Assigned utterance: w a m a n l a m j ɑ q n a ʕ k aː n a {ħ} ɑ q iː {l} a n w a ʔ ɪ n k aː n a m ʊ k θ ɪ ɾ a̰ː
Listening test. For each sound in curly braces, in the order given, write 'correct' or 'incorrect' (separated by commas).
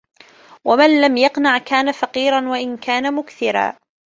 incorrect, incorrect